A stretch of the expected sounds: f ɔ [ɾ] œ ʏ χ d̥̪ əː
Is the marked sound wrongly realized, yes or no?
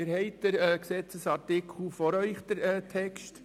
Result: no